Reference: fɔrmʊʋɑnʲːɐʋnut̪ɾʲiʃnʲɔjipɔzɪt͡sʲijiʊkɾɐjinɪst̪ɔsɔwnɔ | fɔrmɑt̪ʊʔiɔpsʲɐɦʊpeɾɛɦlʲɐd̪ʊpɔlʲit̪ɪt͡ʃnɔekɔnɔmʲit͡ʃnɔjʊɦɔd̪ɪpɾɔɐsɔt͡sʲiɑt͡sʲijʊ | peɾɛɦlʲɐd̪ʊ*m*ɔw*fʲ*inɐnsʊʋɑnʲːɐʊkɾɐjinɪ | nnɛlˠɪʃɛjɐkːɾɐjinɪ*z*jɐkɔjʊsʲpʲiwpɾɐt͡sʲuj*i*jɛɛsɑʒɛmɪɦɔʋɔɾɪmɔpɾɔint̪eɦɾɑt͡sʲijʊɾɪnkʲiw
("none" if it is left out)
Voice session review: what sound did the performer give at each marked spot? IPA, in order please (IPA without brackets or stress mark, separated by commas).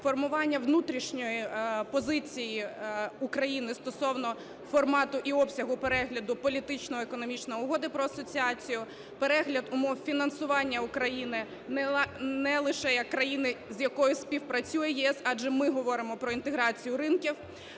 m, fʲ, z, ɛ